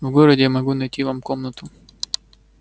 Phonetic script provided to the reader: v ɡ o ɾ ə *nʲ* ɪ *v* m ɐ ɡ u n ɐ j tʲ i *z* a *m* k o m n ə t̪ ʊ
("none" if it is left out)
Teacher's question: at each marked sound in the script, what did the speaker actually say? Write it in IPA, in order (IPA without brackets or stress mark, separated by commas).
dʲ, none, v, m